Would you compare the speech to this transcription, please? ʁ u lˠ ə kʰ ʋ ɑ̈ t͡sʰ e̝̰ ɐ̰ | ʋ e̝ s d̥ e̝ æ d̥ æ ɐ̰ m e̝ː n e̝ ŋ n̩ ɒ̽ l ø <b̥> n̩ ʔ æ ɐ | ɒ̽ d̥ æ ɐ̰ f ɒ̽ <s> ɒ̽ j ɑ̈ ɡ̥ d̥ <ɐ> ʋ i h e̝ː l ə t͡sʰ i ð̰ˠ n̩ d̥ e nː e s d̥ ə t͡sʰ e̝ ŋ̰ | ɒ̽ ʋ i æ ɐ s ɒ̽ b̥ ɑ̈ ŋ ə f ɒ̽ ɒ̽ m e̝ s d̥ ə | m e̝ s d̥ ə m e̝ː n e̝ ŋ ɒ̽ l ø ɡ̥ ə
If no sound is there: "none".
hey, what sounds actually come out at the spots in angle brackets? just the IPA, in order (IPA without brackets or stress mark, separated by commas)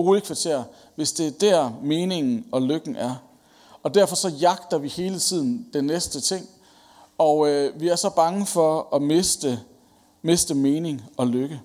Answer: ɡ̥, s, ɐ